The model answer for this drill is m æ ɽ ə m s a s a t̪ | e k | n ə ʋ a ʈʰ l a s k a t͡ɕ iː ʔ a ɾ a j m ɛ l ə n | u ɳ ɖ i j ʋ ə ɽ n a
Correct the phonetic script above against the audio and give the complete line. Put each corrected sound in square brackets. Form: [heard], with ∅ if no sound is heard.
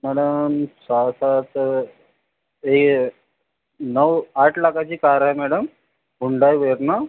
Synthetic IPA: m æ ɽ ə m s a s a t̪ | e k | n ə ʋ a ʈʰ l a [∅] k a t͡ɕ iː [k] a ɾ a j m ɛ [ɽ] ə [m] | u ɳ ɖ [a] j ʋ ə [ɾ] n a

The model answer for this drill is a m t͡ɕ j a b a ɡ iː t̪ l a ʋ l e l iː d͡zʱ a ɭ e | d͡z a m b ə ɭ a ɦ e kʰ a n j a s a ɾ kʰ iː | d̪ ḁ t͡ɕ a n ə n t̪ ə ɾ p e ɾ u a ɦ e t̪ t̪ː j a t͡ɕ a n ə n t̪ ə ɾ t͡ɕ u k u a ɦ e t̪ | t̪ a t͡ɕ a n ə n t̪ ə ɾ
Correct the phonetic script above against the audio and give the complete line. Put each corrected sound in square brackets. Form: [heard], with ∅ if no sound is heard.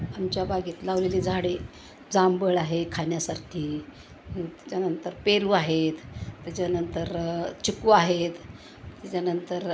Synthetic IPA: a m t͡ɕ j a b a ɡ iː t̪ l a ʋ l e l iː d͡zʱ a [ɽ] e | d͡z a m b ə ɭ a ɦ e kʰ a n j a s a ɾ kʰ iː | [t̪] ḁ t͡ɕ a n ə n t̪ ə ɾ p e ɾ u a ɦ e t̪ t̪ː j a t͡ɕ a n ə n t̪ ə ɾ t͡ɕ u k u a ɦ e t̪ | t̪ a t͡ɕ a n ə n t̪ ə ɾ

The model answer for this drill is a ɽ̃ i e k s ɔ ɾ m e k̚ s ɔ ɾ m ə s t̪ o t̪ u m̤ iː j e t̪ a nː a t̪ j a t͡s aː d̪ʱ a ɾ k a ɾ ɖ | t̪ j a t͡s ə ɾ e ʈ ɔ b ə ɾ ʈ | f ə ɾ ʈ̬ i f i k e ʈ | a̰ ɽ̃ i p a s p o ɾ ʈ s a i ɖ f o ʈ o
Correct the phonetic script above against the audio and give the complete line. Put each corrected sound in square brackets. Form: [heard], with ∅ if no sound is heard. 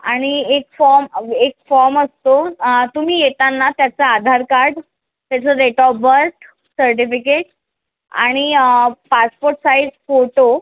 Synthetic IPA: a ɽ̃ i e k [f] ɔ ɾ m e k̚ [f] ɔ ɾ m ə s t̪ o t̪ u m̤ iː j e t̪ a nː a t̪ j a t͡s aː d̪ʱ a ɾ k a ɾ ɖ | t̪ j a t͡s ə ɾ e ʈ ɔ b ə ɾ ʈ | [s] ə ɾ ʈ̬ i f i k e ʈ | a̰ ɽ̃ i p a s p o ɾ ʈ s a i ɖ f o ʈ o

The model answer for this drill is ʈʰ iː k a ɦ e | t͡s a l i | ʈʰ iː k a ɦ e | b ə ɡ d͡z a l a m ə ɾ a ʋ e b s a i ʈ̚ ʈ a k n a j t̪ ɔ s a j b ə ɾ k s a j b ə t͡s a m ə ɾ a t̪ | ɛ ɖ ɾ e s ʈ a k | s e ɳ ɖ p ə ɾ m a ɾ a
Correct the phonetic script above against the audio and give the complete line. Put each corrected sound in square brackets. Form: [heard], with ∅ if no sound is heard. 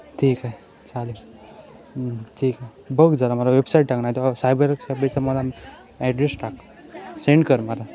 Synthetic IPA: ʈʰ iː k a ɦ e | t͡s a l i | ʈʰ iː k a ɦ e | b ə ɡ d͡z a l a m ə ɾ a ʋ e b s a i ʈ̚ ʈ a k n a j t̪ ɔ s a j b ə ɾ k s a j b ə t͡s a m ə [l] a [∅] | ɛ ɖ ɾ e s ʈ a k | s e ɳ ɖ [k] ə ɾ m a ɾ a

